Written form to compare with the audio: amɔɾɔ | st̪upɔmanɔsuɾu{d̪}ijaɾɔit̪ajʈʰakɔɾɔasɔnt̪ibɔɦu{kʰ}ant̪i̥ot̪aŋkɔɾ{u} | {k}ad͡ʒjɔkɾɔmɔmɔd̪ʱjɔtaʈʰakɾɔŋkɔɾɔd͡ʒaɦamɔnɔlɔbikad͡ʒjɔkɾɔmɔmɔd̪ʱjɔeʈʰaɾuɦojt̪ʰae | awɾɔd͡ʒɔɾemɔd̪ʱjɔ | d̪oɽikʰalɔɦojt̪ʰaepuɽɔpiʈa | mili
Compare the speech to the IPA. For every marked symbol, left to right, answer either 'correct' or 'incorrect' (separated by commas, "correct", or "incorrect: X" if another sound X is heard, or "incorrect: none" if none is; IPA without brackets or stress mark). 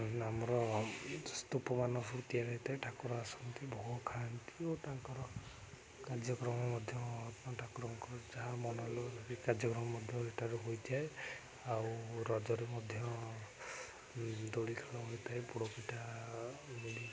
incorrect: t̪, correct, incorrect: ɔ, correct